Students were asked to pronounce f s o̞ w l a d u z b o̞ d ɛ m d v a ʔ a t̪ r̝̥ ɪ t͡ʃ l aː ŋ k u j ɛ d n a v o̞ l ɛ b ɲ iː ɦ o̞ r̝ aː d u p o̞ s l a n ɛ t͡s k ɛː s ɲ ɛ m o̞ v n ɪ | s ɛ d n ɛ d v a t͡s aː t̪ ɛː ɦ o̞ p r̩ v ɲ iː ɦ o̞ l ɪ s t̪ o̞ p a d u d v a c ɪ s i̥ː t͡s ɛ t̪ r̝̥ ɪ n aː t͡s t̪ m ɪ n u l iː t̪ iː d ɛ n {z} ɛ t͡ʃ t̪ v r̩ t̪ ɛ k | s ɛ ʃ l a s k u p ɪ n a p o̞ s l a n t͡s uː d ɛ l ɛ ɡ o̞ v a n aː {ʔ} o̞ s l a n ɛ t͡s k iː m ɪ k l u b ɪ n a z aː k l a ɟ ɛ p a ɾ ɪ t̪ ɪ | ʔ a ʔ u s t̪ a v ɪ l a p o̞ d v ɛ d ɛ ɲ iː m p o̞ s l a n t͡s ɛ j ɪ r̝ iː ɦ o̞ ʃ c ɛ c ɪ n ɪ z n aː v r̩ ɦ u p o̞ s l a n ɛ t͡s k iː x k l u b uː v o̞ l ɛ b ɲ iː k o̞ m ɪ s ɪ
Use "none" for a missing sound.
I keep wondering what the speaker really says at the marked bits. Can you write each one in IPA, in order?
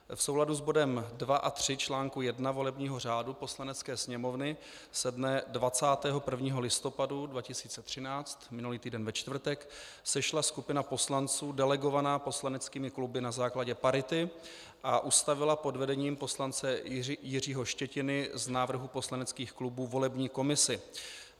v, p

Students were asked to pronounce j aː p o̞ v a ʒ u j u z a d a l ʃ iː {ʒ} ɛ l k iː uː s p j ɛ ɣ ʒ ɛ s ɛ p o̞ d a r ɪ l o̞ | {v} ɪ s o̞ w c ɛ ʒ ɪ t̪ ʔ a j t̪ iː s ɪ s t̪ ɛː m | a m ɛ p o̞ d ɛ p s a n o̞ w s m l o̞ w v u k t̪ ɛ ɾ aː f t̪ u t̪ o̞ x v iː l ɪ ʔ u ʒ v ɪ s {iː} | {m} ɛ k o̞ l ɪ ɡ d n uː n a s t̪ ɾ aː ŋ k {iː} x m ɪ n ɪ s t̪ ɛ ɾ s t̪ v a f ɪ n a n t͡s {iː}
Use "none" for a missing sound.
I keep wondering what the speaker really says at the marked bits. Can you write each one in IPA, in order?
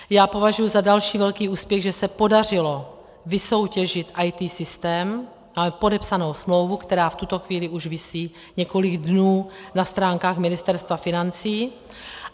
v, v, iː, ɲ, aː, iː

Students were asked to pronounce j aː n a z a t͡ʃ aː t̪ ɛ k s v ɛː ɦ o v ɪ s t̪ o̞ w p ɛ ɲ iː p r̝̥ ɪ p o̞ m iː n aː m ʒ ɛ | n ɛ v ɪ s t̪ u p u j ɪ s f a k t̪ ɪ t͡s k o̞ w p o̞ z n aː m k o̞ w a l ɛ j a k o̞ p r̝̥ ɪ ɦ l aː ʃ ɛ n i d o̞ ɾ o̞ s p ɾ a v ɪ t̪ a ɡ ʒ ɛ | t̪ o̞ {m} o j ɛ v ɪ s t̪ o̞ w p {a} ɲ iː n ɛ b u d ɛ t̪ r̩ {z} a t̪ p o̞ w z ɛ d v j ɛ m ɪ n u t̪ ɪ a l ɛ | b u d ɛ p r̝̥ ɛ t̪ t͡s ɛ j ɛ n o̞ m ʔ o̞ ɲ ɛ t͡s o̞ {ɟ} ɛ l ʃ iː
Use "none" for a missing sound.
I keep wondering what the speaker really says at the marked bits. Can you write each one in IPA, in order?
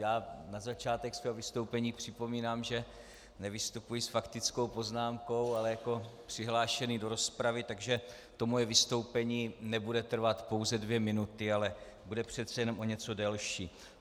m, ɛ, v, d

